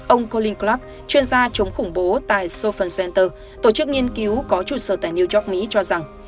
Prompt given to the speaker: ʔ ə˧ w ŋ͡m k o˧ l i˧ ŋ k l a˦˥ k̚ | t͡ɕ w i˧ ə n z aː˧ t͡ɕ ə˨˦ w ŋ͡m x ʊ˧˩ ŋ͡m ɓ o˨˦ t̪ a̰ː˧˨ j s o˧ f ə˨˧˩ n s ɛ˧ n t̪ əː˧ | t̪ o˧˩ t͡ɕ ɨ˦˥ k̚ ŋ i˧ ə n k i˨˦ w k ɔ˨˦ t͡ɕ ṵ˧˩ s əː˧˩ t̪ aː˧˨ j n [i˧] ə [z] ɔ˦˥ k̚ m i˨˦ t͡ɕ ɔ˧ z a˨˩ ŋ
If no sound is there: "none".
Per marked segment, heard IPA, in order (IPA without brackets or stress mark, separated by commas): i˧, z